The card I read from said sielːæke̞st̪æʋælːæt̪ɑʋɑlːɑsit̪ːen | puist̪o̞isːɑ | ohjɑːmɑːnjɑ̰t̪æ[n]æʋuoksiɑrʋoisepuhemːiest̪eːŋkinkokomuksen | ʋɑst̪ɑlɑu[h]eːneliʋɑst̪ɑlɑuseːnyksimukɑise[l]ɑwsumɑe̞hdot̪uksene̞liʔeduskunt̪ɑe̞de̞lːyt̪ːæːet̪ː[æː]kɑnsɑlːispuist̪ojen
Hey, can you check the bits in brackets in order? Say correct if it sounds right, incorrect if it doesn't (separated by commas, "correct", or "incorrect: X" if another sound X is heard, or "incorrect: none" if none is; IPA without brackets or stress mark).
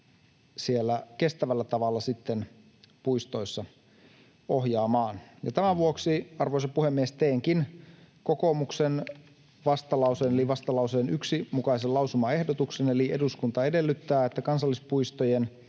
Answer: incorrect: m, incorrect: s, correct, incorrect: æ